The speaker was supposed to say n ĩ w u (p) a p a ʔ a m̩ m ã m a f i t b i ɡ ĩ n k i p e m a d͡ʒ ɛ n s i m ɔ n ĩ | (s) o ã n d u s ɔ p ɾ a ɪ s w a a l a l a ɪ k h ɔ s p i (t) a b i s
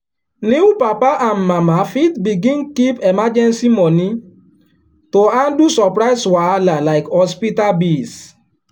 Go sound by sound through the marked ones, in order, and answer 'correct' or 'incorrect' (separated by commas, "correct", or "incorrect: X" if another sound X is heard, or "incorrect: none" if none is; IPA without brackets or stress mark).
correct, incorrect: t, correct